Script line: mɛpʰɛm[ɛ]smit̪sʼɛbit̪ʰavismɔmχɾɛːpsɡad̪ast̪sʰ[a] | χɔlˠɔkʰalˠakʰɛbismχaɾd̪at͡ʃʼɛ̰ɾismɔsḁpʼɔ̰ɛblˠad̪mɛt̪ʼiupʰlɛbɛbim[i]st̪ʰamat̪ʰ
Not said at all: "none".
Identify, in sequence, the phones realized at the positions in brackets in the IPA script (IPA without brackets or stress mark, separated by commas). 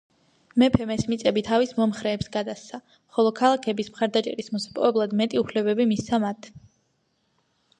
ɛ, a, i